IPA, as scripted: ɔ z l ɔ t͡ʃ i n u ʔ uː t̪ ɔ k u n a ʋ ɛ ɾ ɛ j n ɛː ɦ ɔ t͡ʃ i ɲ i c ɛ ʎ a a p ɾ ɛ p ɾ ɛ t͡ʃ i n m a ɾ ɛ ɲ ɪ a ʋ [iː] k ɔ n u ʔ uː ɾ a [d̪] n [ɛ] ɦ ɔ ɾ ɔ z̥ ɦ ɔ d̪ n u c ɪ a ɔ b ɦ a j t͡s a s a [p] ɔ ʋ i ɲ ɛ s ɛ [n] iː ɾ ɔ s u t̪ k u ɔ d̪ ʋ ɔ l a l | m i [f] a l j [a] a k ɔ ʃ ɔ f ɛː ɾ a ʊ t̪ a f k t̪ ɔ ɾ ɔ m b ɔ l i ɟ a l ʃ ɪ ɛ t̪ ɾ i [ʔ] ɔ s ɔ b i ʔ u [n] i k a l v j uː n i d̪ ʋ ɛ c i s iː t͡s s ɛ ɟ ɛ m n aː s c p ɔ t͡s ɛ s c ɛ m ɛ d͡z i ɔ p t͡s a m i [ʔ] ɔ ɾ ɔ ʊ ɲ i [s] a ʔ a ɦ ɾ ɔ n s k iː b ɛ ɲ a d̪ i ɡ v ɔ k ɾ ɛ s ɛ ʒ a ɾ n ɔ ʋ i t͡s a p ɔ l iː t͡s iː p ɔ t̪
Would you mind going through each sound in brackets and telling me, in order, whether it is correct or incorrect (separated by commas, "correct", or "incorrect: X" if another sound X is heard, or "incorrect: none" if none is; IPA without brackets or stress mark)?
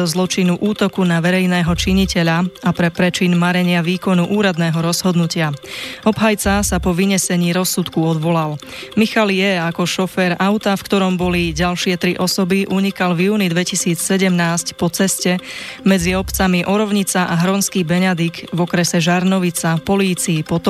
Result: correct, correct, incorrect: ɛː, correct, incorrect: ɲ, incorrect: x, incorrect: ɛ, correct, incorrect: ɲ, correct, incorrect: t͡s